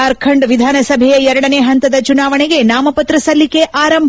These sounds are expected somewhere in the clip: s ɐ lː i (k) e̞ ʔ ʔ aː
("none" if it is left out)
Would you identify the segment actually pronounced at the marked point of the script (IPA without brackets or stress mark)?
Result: k